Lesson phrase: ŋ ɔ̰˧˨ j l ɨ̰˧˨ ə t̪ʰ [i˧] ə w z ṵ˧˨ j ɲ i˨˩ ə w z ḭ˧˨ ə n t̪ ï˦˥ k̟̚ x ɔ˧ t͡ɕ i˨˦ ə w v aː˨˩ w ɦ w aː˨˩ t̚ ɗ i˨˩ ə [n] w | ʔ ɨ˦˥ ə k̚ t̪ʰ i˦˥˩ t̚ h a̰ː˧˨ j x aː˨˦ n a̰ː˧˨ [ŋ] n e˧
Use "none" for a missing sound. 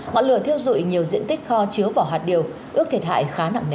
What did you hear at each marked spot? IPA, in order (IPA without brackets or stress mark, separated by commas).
i˧, none, ŋ